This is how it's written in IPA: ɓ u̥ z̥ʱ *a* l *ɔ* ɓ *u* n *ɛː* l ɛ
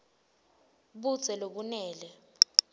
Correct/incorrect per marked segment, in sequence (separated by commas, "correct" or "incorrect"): incorrect, incorrect, correct, correct